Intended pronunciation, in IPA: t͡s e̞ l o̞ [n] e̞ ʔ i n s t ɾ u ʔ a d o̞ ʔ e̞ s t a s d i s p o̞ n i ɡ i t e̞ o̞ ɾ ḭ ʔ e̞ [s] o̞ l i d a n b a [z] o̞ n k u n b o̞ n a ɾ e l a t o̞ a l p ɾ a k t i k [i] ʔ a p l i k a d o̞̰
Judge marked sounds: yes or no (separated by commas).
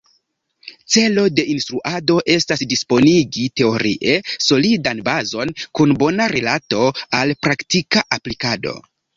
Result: no, yes, yes, no